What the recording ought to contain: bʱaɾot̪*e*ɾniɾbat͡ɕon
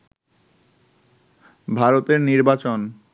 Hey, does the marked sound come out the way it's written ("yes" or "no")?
yes